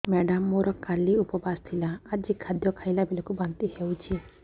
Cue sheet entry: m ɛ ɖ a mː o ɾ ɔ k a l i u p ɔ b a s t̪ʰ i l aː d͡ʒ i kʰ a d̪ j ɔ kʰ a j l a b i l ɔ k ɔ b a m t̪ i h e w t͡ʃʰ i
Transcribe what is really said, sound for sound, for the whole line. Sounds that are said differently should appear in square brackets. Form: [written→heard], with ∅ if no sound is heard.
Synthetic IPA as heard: m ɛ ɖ a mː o ɾ ɔ k a l i u p ɔ b a s t̪ʰ i l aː d͡ʒ i kʰ a d̪ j ɔ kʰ a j l a b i l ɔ k [ɔ→u] b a [m→n] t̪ i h e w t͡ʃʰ i